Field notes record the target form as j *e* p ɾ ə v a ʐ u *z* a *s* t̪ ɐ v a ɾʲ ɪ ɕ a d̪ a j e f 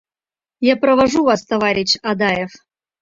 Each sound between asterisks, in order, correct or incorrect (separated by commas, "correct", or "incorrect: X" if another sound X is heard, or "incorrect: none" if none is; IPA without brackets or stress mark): incorrect: a, incorrect: v, correct